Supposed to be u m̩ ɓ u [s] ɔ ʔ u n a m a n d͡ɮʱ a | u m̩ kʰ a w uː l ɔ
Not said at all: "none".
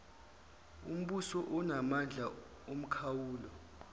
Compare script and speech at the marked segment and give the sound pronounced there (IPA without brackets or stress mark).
s